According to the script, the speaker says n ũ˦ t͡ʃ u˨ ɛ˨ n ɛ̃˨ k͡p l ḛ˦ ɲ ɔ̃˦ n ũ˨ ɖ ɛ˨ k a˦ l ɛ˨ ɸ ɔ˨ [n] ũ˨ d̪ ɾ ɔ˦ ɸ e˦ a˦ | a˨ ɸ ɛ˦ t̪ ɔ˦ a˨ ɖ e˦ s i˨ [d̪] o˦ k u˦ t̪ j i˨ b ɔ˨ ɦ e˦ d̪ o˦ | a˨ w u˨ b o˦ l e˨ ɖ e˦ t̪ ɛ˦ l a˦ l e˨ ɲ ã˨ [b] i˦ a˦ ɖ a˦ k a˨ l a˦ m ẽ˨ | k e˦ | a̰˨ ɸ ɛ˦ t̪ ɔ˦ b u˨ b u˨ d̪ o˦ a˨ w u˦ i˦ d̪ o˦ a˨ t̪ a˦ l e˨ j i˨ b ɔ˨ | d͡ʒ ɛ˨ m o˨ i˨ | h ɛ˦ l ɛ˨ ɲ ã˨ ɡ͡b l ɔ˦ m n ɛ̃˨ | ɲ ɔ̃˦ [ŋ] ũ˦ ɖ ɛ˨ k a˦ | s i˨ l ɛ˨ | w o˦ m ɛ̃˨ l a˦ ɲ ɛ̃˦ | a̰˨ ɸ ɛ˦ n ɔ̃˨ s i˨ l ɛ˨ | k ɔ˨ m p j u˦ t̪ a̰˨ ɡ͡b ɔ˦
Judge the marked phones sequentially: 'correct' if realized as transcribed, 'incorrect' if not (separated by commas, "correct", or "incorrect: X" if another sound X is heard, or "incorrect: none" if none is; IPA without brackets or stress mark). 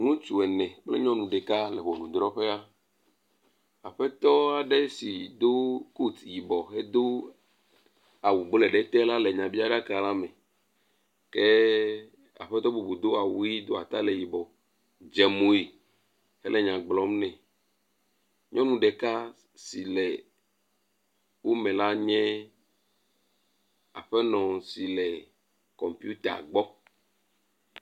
correct, correct, correct, incorrect: n